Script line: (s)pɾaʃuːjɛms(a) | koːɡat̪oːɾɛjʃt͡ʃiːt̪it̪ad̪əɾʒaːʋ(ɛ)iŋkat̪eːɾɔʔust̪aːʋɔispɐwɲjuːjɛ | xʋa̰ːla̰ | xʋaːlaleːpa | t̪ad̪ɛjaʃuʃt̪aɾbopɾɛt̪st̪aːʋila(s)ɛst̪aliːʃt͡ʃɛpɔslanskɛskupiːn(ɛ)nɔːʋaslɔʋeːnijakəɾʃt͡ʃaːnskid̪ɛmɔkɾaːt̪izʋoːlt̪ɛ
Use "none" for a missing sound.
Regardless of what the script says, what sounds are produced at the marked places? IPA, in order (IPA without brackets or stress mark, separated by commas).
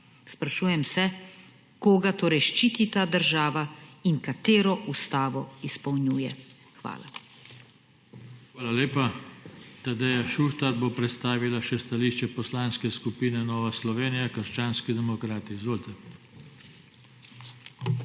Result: s, ɛ, a, ʃ, ɛ